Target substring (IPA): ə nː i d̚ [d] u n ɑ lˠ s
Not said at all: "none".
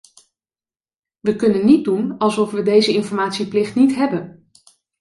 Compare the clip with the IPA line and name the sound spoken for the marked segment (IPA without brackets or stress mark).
d